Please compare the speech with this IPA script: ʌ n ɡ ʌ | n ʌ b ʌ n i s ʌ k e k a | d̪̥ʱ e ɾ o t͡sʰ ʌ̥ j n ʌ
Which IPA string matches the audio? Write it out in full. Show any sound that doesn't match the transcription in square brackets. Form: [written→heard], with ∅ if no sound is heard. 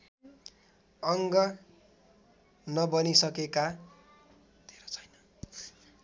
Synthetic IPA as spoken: ʌ [n→ŋ] ɡ ʌ | n ʌ b ʌ n i s ʌ k e k a | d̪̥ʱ e ɾ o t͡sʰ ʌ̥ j n ʌ